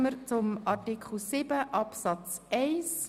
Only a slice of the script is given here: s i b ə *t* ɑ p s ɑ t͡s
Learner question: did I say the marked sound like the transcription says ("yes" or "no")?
no